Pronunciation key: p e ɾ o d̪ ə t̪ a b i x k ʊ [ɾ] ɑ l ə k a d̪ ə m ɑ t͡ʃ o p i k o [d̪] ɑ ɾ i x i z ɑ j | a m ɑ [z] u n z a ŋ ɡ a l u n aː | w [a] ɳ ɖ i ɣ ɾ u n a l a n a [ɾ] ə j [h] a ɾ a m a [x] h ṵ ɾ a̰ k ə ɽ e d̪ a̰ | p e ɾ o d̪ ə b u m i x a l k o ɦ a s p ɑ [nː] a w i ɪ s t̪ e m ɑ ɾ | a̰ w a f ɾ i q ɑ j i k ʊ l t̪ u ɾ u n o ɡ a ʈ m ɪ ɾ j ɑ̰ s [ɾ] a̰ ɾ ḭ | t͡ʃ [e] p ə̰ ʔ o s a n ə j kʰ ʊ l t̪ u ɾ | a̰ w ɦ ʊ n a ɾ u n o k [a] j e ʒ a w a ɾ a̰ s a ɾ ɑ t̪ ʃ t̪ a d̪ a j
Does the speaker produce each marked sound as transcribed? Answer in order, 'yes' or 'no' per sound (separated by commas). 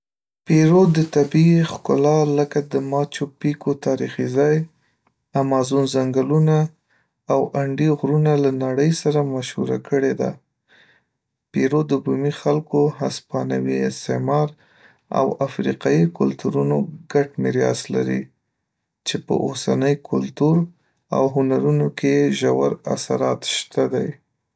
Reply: no, no, yes, yes, no, no, no, no, no, yes, no